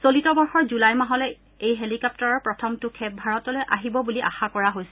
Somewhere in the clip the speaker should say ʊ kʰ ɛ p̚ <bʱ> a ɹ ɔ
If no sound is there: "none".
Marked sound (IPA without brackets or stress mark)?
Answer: bʱ